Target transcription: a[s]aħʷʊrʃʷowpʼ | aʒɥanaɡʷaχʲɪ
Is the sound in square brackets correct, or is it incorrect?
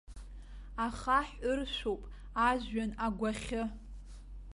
incorrect